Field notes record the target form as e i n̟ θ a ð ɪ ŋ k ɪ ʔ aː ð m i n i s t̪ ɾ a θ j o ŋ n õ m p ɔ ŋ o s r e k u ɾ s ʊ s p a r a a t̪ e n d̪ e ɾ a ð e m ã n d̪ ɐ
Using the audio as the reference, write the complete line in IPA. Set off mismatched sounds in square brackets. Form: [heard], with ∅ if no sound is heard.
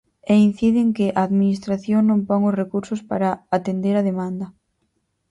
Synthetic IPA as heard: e i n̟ θ [i] ð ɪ ŋ k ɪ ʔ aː ð m i n i s t̪ ɾ a θ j o ŋ n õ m p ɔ ŋ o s r e k u ɾ s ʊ s p a [ɾ] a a t̪ e n d̪ e ɾ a ð e m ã n d̪ ɐ